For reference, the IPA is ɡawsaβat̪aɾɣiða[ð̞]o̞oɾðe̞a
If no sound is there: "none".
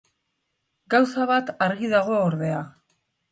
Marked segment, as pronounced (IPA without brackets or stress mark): ɣ̞